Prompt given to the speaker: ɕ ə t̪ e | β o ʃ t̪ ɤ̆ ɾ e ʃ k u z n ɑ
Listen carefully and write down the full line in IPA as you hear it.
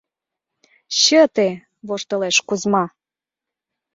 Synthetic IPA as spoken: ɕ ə t̪ e | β o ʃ t̪ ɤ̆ l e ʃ k u z m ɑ